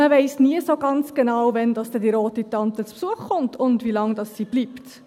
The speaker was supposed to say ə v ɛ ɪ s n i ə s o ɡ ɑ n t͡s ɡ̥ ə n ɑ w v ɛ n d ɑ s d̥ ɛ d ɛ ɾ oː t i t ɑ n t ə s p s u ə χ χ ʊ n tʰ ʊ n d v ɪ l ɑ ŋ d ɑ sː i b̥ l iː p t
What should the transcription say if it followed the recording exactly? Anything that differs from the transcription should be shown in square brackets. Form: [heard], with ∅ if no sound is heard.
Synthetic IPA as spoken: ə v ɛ ɪ s n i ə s o ɡ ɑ n t͡s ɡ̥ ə n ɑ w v ɛ n d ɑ s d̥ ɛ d [i] ɾ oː t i t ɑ n t ə [t͡s] p s u ə χ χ ʊ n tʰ ʊ n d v [i] l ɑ ŋ d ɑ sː i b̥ l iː p t

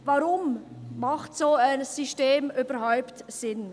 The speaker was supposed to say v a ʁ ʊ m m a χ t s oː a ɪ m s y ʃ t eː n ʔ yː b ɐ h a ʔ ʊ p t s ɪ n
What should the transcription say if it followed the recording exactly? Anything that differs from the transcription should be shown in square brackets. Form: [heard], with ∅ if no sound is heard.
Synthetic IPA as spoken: v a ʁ ʊ m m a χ t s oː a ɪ [n] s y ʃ t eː [m] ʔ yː b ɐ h a [∅] ʊ p t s ɪ n

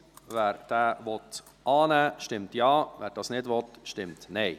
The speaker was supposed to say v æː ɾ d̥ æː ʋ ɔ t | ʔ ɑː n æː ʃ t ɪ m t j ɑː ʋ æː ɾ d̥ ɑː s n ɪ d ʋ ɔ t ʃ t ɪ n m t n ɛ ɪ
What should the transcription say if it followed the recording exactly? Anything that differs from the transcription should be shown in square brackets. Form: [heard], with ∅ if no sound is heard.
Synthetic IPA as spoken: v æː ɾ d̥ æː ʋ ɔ t | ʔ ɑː n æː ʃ t ɪ m t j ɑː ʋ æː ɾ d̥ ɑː s n ɪ d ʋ ɔ t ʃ t ɪ [∅] m t n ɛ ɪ

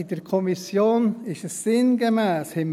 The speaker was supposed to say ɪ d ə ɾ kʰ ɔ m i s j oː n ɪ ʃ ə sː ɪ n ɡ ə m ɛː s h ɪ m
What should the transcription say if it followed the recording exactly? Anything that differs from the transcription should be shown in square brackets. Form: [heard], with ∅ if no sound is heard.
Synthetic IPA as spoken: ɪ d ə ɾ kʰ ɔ m i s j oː n ɪ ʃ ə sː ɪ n ɡ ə m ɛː s h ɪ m

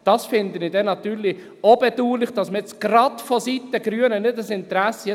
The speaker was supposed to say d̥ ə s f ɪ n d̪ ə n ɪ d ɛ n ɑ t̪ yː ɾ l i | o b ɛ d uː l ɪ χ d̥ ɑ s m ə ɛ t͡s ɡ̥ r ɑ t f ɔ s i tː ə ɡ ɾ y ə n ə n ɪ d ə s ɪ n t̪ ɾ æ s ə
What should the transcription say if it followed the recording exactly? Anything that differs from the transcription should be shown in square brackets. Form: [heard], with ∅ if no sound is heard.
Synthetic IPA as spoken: d̥ [ɑ] s f ɪ n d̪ ə n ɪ d ɛ n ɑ t̪ yː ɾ l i | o b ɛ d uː l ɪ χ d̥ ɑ s m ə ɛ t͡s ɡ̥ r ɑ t f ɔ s i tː ə ɡ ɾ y ə n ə n ɪ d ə s ɪ n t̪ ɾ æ s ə

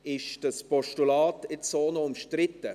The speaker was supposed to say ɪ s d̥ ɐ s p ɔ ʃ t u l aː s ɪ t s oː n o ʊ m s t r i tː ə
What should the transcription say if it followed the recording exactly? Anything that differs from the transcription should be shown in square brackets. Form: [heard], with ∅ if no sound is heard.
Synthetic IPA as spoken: ɪ [ʃ] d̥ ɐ s p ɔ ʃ t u l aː [t] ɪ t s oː n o ʊ m [ʃ] t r [ɪ] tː ə

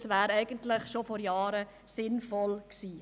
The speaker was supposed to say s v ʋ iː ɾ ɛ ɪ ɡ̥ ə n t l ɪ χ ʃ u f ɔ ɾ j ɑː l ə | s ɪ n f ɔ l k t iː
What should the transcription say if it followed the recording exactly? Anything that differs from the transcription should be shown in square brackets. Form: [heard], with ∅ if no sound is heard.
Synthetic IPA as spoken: s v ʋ [æː] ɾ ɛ ɪ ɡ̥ ə n t l ɪ χ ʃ [o] f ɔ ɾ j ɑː [ɾ] ə | s ɪ n f ɔ l k [s] iː

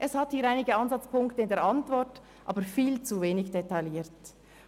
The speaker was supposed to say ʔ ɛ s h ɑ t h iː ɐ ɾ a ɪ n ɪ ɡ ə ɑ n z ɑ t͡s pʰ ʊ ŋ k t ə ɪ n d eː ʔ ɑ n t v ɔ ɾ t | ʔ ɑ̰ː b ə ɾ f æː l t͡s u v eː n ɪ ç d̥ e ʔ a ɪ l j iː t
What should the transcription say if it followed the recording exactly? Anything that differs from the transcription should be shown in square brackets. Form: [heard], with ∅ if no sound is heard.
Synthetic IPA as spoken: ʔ ɛ s h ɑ t h iː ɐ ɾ a ɪ n ɪ ɡ ə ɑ n z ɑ t͡s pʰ ʊ ŋ k t ə ɪ n d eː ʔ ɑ n t v ɔ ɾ t | ʔ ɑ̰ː b ə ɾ f [iː] l t͡s u v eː n ɪ ç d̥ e [t] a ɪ l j iː t

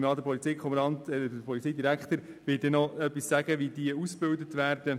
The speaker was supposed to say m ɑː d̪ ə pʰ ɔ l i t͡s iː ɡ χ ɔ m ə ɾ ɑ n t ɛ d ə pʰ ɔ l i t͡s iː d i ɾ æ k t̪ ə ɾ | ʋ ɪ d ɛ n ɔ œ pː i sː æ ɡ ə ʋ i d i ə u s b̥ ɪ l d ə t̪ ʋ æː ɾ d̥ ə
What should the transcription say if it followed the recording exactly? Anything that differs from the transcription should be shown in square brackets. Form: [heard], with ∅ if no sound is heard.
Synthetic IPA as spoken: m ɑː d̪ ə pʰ ɔ l i t͡s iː [k] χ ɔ m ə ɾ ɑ n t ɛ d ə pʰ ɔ l i t͡s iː d i ɾ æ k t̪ ə ɾ | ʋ ɪ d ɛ n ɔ œ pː i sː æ ɡ ə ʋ i d i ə u s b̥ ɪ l d ə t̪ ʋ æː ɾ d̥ ə

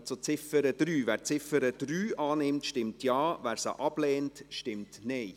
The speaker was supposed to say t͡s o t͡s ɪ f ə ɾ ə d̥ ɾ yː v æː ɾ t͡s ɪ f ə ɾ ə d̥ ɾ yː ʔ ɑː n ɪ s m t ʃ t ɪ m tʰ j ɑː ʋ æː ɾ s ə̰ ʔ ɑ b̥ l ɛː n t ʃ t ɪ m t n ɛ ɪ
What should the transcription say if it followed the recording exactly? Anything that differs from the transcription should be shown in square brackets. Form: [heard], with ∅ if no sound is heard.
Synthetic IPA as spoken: t͡s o t͡s ɪ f ə ɾ ə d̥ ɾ yː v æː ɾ t͡s ɪ f ə ɾ ə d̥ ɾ yː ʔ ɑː n ɪ [∅] m t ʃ t ɪ m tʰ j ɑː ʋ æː ɾ s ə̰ ʔ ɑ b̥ l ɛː n t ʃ t ɪ m t n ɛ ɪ

